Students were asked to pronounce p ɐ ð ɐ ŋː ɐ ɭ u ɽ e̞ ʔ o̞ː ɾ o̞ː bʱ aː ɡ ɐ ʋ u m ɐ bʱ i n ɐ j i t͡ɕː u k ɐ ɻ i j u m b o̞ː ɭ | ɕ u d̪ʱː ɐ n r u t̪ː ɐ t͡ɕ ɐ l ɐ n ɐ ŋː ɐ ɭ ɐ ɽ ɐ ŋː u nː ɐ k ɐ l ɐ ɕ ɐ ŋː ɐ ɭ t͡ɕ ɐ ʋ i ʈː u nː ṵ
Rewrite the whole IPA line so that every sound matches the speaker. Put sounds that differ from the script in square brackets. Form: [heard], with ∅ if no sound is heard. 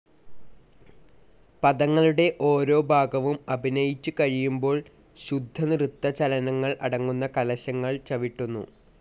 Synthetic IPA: p ɐ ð ɐ ŋː ɐ ɭ u ɽ e̞ ʔ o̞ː ɾ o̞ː bʱ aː ɡ ɐ ʋ u m ɐ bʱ i n ɐ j i t͡ɕː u k ɐ ɻ i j u m b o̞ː ɭ | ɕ u d̪ʱː ɐ n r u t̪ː ɐ t͡ɕ ɐ l ɐ n ɐ ŋː ɐ ɭ ɐ ɽ ɐ ŋː u nː ɐ k ɐ l ɐ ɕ ɐ ŋː ɐ ɭ t͡ɕ ɐ ʋ i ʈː u nː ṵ